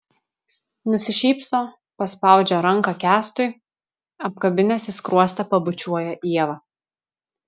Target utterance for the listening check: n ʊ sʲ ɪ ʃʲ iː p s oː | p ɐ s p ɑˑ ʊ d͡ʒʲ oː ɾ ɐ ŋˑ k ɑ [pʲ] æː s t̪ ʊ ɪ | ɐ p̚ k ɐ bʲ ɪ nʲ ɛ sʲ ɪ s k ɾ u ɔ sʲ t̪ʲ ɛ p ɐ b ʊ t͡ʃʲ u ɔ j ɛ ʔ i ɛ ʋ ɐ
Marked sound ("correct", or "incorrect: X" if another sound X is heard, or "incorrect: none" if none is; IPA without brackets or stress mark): incorrect: kʲ